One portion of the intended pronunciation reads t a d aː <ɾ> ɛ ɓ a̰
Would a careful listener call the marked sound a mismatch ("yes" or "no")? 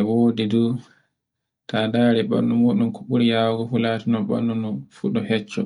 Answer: no